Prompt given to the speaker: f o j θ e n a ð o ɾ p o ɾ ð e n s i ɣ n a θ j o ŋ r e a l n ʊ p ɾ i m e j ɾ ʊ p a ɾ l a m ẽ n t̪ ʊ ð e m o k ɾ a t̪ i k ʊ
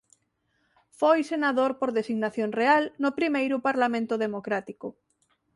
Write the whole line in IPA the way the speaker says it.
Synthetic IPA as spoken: f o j s e n a ð o ɾ p o ɾ ð e s i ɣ n a θ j o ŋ r e a l n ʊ p ɾ i m e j ɾ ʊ p a ɾ l a m ẽ n t̪ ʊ ð e m o k ɾ a t̪ i k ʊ